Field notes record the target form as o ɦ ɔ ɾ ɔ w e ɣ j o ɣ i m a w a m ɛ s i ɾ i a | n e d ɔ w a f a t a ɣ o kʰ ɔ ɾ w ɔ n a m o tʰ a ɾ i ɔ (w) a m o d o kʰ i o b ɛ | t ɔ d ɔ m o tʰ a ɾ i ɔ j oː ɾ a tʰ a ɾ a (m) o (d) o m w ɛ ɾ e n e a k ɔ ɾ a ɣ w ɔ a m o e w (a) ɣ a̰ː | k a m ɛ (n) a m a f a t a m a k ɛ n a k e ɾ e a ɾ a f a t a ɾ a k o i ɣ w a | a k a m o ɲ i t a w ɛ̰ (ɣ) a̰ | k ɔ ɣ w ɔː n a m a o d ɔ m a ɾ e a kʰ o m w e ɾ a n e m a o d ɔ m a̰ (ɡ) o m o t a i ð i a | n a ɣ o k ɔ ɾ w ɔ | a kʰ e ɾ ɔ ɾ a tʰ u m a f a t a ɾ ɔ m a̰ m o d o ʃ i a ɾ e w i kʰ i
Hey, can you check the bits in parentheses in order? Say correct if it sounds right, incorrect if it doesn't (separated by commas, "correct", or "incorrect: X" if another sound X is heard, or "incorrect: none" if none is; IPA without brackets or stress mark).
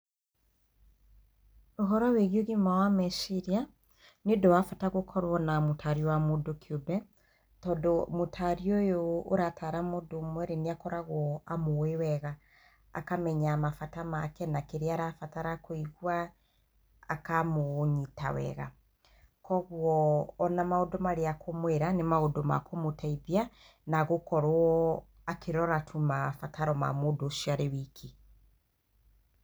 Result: correct, correct, correct, incorrect: ɛ, incorrect: ɲ, correct, incorrect: k